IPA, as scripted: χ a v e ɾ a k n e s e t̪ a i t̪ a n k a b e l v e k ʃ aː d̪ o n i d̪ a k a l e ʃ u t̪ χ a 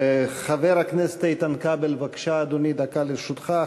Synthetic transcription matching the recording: χ a v e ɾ a k n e s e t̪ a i t̪ a n k a b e l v a k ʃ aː d̪ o n i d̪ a k a l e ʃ u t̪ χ a